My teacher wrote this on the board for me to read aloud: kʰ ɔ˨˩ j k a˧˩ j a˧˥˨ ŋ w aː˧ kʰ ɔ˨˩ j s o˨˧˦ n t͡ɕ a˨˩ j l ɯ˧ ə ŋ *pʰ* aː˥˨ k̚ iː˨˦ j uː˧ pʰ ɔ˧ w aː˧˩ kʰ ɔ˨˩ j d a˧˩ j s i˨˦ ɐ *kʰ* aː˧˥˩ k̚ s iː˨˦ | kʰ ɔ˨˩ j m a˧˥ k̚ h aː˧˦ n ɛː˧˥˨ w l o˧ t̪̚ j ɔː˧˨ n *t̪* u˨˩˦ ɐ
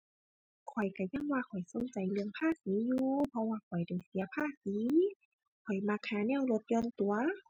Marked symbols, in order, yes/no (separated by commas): yes, no, yes